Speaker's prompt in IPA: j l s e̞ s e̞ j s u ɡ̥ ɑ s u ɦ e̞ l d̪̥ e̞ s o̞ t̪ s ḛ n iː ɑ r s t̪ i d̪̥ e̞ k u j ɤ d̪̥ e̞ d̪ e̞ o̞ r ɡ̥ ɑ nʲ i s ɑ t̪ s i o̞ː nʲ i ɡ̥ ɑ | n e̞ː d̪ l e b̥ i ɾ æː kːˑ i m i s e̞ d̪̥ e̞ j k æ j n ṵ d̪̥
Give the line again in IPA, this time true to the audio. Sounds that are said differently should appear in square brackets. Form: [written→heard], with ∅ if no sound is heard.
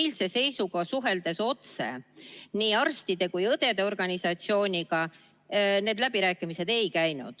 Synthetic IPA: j l s e̞ s e̞ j s u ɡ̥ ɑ s u ɦ e̞ l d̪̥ e̞ s o̞ t̪ s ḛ n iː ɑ r s t̪ i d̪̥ e̞ k u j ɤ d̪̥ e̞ d̪ e̞ o̞ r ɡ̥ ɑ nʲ i s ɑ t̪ s i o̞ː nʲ i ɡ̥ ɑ | n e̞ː d̪ l [e→æ] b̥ i ɾ æː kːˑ i m i s e̞ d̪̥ e̞ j k æ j n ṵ d̪̥